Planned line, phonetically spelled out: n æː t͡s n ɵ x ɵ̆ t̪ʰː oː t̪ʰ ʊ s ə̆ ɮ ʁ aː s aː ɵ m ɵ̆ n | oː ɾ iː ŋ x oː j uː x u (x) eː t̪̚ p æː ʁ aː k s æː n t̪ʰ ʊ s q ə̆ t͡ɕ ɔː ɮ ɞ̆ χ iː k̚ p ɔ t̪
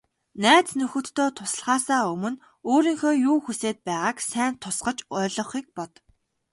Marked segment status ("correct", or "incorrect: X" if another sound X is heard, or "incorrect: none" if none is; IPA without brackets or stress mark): incorrect: s